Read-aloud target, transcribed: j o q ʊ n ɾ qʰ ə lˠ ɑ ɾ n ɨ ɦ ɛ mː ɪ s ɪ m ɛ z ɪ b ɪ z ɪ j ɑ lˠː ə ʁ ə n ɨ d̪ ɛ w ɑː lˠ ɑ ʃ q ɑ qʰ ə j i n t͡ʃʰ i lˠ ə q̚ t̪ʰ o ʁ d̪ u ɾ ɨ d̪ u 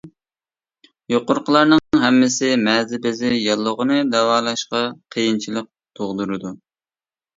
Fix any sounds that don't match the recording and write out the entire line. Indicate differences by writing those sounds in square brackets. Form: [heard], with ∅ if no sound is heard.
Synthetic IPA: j o q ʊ [∅] ɾ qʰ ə lˠ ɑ ɾ n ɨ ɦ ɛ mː ɪ s ɪ m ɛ z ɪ b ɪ z ɪ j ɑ lˠː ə ʁ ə n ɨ d̪ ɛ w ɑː lˠ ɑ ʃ q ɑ qʰ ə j i n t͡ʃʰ i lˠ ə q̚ t̪ʰ o ʁ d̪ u ɾ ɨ d̪ u